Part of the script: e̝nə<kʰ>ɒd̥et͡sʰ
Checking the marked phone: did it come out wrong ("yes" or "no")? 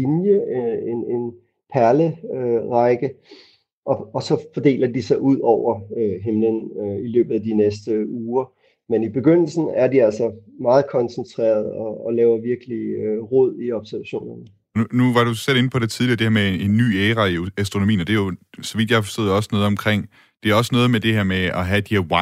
yes